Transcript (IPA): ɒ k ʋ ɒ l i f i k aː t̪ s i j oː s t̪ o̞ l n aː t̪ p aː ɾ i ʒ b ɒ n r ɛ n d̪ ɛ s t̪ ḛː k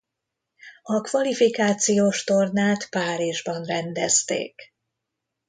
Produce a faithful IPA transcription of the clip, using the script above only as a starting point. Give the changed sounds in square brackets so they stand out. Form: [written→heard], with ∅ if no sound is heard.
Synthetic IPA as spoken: ɒ k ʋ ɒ l i f i k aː t̪ s i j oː [s→ʃ] t̪ o̞ [l→r] n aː t̪ p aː ɾ i ʒ b ɒ n r ɛ n d̪ ɛ s t̪ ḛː k